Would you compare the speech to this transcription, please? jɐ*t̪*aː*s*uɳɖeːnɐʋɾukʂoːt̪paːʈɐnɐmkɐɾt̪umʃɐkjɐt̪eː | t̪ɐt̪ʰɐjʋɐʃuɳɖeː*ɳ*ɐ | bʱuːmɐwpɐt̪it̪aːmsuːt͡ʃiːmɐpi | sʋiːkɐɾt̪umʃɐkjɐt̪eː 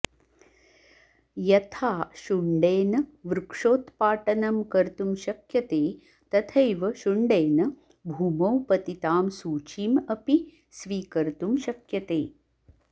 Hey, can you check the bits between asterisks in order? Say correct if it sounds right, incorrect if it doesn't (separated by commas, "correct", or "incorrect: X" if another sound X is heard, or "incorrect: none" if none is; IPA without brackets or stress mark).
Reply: incorrect: t̪ʰ, incorrect: ʃ, incorrect: n